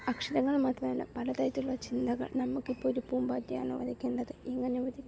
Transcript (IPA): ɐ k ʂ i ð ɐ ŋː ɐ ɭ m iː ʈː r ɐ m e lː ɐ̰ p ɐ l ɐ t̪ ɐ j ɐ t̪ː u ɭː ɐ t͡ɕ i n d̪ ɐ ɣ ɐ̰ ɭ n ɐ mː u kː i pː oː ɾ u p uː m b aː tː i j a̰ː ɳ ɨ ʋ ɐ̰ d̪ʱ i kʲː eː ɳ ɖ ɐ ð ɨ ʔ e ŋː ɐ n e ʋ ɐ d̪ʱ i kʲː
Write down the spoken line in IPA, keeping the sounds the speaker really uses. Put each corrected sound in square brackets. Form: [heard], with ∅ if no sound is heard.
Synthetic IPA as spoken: ɐ k ʂ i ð ɐ ŋː ɐ ɭ m [aː] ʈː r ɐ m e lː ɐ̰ p ɐ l ɐ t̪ ɐ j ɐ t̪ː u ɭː ɐ t͡ɕ i n d̪ ɐ ɣ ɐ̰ ɭ n ɐ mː u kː i pː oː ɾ u p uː m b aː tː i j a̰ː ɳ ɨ ʋ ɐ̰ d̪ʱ i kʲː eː ɳ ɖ ɐ ð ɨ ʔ e ŋː ɐ n e ʋ ɐ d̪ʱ i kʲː